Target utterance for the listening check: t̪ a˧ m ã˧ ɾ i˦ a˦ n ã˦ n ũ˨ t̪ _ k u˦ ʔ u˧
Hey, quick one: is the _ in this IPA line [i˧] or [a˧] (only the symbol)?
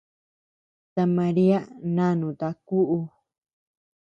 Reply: a˧